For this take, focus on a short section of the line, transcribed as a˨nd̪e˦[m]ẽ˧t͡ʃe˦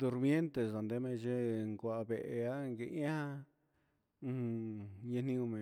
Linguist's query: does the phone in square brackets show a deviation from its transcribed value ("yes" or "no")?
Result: no